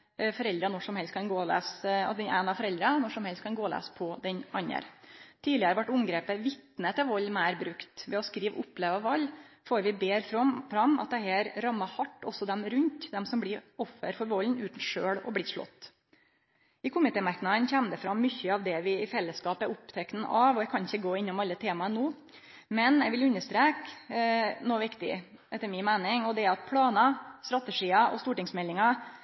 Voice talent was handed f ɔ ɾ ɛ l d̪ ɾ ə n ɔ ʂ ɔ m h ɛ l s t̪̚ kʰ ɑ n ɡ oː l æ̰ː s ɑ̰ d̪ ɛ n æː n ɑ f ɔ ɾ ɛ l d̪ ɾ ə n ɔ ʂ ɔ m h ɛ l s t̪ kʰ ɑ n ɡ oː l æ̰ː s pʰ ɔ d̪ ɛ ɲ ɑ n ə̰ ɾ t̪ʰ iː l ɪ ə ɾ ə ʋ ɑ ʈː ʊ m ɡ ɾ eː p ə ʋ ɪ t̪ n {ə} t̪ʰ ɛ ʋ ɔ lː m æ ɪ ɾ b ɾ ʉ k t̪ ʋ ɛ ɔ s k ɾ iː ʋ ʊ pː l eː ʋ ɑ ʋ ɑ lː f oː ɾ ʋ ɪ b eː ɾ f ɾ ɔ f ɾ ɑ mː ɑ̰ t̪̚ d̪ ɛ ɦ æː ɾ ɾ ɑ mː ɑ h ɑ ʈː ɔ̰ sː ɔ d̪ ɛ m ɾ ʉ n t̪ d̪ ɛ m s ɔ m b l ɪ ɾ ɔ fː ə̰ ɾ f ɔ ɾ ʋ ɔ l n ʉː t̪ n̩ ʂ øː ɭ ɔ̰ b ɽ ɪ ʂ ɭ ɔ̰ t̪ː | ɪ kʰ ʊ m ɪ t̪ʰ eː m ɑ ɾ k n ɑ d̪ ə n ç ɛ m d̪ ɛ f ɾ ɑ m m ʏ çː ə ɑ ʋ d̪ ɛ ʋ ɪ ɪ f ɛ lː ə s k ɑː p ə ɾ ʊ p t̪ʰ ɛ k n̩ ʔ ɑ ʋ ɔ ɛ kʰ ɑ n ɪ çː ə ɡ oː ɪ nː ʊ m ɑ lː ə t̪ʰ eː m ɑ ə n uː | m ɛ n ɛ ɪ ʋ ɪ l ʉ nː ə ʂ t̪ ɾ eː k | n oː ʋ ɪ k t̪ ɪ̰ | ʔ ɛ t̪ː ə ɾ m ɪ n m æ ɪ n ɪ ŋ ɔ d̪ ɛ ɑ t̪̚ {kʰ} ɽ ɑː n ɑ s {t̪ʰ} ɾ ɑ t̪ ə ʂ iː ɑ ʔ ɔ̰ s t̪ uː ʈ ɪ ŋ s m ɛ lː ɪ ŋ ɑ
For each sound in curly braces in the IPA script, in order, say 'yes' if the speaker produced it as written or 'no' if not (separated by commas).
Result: yes, no, no